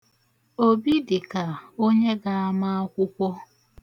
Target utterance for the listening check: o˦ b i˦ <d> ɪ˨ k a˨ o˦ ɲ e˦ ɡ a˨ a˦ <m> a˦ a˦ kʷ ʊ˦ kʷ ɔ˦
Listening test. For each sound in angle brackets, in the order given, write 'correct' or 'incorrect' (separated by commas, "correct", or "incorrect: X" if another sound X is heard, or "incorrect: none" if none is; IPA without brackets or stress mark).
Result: correct, correct